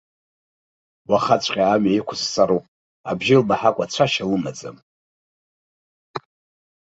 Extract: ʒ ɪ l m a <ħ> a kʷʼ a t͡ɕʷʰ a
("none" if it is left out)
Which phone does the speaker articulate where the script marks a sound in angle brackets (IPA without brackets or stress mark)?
ħ